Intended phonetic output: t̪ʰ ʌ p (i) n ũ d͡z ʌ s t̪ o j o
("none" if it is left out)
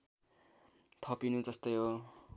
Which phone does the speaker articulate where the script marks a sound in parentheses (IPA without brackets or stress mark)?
i